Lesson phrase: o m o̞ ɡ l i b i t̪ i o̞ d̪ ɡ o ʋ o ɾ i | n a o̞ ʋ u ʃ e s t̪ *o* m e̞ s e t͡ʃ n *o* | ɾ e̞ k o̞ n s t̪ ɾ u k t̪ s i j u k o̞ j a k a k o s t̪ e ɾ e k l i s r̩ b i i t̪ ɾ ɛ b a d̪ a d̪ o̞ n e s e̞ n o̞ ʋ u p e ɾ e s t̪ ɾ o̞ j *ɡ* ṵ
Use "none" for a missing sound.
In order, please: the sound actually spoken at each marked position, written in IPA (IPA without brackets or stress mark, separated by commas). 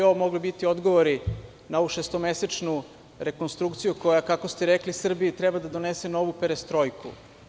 o, u, k